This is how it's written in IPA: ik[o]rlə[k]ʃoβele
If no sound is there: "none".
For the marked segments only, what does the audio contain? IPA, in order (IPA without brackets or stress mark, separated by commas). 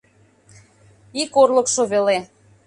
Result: o, k